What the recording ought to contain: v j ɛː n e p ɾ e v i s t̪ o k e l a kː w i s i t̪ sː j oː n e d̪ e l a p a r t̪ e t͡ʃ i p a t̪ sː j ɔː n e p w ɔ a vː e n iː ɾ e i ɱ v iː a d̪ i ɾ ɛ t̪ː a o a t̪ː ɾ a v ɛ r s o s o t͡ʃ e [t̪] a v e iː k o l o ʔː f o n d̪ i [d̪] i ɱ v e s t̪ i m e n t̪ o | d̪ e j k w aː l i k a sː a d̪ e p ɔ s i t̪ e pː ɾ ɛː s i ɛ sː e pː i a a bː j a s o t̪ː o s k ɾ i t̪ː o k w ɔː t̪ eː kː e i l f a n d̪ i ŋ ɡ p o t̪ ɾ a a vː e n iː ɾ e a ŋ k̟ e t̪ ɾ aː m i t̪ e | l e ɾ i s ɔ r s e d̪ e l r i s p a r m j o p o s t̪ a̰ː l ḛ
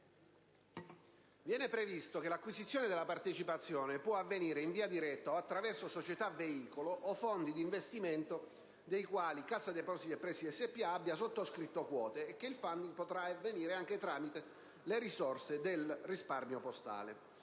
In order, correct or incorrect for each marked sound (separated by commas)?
correct, correct